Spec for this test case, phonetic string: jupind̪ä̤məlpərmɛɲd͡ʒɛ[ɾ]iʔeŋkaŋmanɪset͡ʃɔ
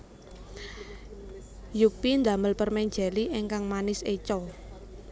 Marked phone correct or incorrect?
incorrect